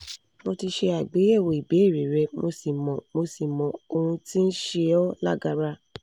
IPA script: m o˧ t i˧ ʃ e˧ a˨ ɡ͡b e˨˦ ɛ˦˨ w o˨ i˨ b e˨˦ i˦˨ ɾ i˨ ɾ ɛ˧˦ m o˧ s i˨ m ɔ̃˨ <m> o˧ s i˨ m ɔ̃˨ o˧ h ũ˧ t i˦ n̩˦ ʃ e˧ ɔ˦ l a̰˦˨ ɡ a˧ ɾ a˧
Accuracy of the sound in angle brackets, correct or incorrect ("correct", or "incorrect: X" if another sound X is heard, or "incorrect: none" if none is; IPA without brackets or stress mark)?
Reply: correct